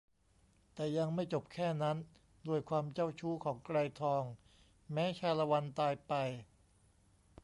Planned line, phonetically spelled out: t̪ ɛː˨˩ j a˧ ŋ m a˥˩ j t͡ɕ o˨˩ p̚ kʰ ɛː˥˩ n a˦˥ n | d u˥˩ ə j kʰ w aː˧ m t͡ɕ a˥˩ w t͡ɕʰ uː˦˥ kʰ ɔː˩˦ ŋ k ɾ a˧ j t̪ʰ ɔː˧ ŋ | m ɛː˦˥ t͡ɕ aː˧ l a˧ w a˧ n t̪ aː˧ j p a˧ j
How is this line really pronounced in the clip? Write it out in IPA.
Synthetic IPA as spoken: t̪ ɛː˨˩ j a˧ ŋ m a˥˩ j t͡ɕ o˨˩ p̚ kʰ ɛː˥˩ n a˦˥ n | d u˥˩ ə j kʰ w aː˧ m t͡ɕ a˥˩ w t͡ɕʰ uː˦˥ kʰ ɔː˩˦ ŋ k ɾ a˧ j t̪ʰ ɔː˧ ŋ | m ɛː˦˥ t͡ɕʰ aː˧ l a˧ w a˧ n t̪ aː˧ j p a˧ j